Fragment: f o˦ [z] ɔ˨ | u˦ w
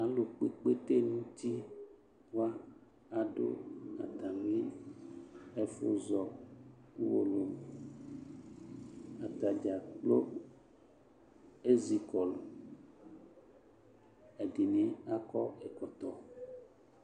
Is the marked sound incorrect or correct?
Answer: correct